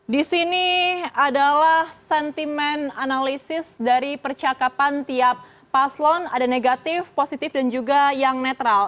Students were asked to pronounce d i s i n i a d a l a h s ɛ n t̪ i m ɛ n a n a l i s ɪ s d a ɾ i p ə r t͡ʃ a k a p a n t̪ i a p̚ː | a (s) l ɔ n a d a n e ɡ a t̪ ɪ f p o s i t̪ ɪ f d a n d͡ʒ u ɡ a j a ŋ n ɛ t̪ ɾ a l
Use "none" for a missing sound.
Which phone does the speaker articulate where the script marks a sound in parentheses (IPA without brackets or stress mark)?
s